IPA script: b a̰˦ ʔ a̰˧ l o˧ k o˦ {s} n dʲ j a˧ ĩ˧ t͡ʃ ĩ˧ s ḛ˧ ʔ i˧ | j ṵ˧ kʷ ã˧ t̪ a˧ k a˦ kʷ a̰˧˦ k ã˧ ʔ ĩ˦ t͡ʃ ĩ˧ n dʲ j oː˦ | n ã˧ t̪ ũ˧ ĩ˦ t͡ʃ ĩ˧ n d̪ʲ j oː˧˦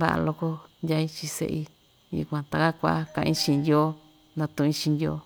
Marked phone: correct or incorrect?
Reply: incorrect: none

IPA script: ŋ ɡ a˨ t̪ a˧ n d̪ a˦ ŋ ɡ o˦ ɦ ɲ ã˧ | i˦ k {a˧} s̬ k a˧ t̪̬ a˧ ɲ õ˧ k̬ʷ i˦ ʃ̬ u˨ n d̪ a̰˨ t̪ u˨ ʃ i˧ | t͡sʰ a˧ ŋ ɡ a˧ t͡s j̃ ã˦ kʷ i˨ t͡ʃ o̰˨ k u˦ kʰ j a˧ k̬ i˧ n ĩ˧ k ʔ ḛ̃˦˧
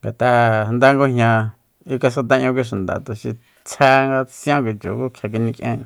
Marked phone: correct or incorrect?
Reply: correct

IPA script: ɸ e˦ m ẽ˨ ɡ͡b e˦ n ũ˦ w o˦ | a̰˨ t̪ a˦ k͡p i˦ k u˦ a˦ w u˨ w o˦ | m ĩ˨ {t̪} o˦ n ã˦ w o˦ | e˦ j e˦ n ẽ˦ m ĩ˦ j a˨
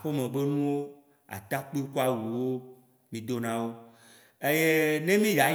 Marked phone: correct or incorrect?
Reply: incorrect: d̪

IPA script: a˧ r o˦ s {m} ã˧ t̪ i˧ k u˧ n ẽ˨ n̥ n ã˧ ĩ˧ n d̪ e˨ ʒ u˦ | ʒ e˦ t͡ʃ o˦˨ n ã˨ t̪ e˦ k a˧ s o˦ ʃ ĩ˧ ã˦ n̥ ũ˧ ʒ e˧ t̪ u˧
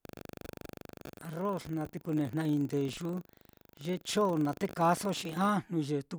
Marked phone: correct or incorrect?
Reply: incorrect: n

